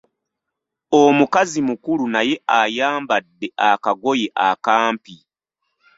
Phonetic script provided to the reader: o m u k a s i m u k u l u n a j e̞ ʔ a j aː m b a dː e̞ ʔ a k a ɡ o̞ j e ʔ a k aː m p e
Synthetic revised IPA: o m u k a z i m u k u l u n a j e̞ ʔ a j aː m b a dː e̞ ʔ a k a ɡ o̞ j e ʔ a k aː m p i